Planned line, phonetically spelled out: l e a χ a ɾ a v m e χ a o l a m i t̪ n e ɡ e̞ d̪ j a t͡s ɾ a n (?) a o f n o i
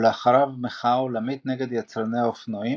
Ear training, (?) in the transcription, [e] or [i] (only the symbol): e